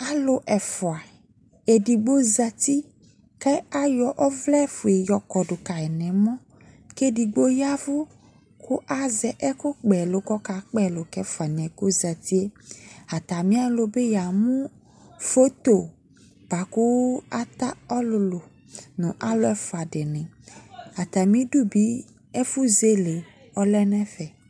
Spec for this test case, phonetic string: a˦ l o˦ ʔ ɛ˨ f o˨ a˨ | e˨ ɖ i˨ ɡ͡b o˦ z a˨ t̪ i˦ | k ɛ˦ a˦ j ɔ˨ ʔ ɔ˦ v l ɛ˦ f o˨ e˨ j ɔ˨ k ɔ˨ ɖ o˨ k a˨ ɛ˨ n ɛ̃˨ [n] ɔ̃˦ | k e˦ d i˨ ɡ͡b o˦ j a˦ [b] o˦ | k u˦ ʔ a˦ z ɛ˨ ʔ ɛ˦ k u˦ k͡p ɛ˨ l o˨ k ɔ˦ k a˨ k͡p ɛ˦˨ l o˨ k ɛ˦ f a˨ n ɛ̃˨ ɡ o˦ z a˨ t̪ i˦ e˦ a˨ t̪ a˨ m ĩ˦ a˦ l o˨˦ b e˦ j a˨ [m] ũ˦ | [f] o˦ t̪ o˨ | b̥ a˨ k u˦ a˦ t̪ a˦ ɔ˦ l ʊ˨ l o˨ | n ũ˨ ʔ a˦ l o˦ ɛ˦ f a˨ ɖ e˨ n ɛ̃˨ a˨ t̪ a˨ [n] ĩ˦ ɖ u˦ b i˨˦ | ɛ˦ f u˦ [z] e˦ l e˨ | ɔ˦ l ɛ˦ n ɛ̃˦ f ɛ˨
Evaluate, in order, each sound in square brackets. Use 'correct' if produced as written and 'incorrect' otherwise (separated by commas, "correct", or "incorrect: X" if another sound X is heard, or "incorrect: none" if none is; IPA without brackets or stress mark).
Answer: incorrect: m, incorrect: v, correct, correct, incorrect: m, correct